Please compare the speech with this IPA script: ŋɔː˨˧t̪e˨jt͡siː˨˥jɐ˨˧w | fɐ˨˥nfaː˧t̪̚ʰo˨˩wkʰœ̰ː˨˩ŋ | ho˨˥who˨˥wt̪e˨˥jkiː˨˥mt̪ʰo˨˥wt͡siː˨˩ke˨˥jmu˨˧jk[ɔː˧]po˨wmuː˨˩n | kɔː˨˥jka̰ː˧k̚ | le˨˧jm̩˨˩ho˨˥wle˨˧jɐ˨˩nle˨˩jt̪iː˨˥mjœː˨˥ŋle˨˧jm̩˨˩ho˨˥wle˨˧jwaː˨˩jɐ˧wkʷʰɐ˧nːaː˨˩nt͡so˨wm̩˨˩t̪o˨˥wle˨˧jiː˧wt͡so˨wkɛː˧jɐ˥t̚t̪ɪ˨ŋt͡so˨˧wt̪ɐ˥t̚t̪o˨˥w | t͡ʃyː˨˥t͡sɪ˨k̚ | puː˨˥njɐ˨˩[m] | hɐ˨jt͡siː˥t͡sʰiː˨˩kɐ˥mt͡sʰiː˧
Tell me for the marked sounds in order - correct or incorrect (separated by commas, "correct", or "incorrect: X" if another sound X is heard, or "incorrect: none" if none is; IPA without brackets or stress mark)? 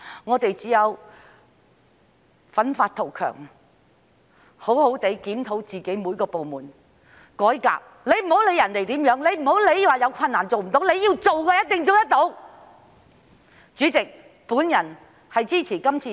correct, incorrect: n